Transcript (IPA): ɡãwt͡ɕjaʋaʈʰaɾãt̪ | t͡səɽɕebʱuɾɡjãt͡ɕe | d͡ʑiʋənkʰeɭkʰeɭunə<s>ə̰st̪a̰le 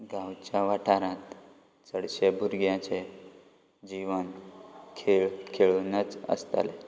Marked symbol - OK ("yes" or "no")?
no